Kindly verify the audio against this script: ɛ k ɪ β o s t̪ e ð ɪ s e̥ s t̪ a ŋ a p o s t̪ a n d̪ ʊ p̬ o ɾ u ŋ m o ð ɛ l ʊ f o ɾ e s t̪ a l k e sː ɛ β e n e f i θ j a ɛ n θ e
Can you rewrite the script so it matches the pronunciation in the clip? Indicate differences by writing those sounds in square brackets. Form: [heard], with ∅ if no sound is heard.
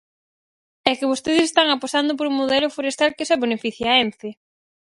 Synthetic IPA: ɛ k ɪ β o s t̪ e ð ɪ s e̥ s t̪ a ŋ a p o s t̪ a n d̪ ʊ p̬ o ɾ u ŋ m o ð ɛ l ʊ f o ɾ e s t̪ a l k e [s] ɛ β e n e f i θ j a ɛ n θ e